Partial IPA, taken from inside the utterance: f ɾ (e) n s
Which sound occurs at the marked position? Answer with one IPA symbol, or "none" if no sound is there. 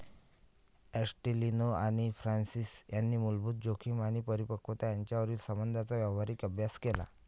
a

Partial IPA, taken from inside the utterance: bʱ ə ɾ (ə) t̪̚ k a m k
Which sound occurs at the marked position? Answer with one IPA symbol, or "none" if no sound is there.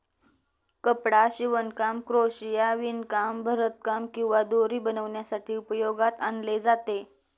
ə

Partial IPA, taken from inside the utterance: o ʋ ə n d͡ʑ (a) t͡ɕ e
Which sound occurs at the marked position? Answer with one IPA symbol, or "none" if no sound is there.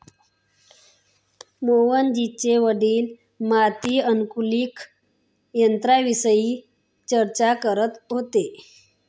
i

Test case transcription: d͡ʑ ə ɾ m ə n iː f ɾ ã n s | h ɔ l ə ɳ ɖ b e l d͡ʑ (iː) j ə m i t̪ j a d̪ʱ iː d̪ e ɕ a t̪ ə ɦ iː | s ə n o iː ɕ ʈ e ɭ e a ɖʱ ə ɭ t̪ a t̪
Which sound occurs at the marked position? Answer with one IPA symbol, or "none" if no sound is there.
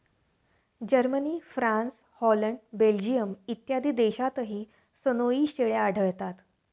i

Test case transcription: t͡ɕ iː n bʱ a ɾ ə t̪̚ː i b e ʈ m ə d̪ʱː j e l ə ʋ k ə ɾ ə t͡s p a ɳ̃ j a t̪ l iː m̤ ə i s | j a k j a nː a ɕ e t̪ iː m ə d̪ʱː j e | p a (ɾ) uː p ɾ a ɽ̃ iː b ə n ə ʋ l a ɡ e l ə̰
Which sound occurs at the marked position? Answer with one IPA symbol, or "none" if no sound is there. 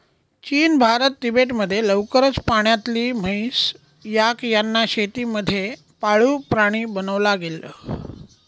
ɭ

